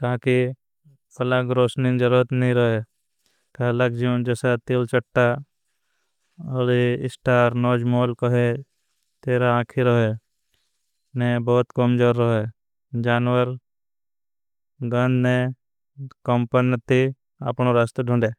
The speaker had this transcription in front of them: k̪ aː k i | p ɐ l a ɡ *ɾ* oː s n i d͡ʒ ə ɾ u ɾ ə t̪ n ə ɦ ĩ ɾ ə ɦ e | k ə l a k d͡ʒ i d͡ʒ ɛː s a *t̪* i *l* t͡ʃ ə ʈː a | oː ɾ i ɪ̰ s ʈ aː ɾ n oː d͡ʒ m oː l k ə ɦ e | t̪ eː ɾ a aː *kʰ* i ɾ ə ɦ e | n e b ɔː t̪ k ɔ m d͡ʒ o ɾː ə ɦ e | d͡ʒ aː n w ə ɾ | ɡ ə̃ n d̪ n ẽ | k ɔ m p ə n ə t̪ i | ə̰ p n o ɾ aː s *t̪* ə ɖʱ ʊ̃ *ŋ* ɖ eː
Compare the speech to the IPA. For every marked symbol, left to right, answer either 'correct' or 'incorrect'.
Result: correct, correct, correct, correct, correct, incorrect

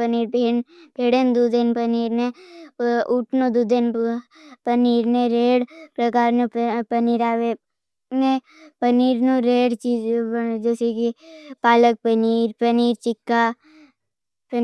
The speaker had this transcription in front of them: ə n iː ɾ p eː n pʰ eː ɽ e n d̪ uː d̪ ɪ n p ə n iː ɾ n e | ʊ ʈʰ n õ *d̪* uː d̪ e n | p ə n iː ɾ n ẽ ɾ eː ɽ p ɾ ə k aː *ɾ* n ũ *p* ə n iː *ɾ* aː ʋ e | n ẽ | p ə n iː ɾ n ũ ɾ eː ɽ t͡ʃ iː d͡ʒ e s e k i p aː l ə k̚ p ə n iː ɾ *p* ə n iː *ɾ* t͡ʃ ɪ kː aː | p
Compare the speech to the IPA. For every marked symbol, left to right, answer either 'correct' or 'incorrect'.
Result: correct, correct, correct, correct, correct, correct

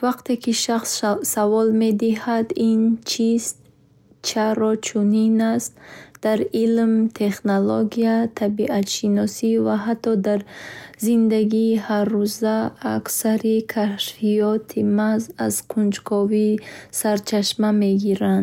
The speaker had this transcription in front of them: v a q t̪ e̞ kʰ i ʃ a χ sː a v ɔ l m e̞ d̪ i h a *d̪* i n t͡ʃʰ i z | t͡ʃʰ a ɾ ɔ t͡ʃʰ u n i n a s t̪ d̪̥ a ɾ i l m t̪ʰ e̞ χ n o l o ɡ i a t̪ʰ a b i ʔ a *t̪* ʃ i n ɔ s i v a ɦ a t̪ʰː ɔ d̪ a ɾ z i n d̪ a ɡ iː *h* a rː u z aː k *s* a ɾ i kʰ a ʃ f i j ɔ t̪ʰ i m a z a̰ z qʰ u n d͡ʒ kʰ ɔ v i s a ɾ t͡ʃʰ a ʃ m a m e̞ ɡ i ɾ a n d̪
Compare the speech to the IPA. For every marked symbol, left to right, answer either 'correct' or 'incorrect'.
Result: correct, correct, correct, correct

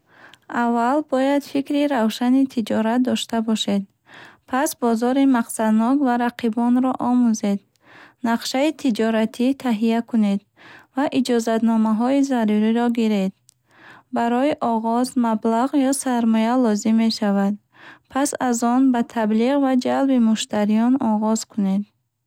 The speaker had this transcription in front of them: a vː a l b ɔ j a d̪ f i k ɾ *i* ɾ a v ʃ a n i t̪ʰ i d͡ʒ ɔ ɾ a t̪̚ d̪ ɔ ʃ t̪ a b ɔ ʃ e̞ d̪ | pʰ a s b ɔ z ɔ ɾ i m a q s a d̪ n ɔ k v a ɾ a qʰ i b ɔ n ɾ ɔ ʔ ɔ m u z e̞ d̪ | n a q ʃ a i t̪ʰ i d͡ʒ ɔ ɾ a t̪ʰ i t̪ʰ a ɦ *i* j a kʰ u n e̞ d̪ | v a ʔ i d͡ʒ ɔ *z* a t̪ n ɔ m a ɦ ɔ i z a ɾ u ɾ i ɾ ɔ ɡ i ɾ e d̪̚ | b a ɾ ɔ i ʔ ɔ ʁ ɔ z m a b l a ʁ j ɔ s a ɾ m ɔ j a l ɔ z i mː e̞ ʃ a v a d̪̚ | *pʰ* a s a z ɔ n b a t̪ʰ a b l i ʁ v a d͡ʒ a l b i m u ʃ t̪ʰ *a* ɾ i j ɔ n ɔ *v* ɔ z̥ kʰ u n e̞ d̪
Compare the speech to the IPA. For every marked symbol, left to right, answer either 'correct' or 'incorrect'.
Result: correct, correct, correct, correct, correct, incorrect

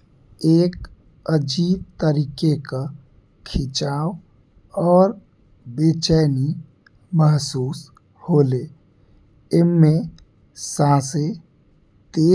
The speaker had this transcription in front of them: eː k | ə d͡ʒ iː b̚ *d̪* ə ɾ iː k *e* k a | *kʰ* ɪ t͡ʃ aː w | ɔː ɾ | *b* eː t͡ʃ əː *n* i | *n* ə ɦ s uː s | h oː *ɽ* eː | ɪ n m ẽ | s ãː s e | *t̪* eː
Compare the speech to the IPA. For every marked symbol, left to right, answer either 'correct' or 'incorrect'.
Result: incorrect, correct, correct, correct, correct, incorrect, incorrect, correct

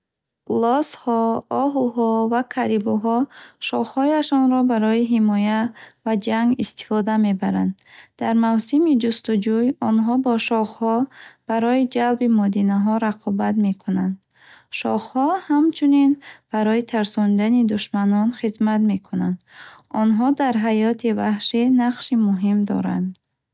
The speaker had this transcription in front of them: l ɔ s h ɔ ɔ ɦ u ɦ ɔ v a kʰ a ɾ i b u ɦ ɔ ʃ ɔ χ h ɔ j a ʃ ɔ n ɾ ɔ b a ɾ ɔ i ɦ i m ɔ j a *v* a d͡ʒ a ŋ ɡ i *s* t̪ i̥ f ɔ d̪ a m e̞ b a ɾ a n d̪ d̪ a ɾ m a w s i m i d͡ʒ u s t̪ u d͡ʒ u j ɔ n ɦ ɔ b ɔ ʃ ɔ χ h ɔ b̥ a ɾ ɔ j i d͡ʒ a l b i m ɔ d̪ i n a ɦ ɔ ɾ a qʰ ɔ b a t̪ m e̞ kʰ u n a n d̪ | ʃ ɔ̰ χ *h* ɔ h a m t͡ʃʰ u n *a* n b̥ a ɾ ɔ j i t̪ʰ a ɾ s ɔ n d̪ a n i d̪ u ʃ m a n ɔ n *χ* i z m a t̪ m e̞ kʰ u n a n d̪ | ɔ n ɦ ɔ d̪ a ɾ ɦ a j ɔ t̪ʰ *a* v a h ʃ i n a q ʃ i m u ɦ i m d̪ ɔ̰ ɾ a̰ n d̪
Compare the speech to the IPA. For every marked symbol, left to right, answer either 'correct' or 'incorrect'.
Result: correct, correct, correct, incorrect, correct, incorrect

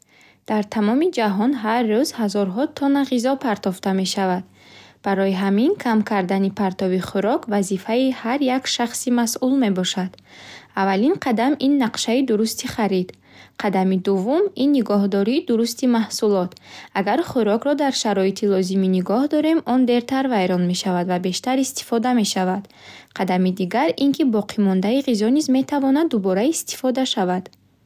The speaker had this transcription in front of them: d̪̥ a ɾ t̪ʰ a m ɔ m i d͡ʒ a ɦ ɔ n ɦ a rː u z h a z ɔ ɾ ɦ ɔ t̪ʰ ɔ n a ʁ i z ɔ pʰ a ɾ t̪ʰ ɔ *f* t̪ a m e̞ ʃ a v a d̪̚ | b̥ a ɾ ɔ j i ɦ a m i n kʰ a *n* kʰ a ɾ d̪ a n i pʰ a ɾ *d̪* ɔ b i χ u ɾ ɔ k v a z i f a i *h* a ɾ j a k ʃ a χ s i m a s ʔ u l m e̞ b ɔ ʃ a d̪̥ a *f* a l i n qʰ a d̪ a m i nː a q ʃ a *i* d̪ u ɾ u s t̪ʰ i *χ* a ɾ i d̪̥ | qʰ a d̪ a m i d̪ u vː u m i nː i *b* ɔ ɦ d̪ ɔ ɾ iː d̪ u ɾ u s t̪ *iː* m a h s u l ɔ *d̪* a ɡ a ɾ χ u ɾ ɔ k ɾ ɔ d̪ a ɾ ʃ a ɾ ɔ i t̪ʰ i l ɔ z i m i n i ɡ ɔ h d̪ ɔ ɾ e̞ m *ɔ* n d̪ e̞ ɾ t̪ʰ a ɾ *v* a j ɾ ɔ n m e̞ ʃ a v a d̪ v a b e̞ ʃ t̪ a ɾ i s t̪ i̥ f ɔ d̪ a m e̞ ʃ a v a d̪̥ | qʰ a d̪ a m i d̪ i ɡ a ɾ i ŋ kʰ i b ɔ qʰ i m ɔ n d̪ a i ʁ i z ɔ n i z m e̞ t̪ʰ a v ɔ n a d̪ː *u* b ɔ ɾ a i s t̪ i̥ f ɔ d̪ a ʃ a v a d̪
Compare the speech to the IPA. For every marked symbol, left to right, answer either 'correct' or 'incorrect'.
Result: correct, incorrect, incorrect, correct, incorrect, correct, correct, incorrect, incorrect, incorrect, correct, correct, correct

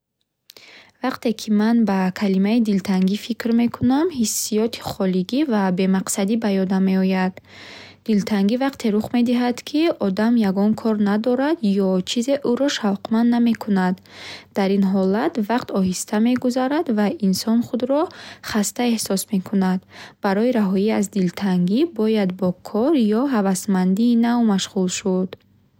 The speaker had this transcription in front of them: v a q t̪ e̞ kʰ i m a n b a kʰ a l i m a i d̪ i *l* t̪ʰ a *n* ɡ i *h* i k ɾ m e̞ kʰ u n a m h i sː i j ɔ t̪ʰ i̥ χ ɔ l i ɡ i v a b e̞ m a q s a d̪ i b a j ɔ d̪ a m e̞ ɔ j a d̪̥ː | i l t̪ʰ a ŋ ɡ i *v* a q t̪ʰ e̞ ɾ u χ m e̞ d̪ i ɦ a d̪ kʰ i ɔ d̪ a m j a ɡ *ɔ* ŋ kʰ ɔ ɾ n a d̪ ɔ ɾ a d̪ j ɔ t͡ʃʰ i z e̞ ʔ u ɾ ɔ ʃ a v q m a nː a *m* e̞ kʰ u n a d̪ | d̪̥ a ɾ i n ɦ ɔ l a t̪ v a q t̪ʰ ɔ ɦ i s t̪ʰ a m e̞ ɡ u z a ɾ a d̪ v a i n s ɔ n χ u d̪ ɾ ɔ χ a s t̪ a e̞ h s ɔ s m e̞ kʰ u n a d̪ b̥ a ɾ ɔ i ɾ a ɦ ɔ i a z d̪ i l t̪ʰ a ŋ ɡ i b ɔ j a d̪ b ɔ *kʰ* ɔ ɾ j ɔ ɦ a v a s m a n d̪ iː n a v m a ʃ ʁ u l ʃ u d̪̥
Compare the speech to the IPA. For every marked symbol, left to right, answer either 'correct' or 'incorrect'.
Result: correct, incorrect, incorrect, correct, correct, correct, correct

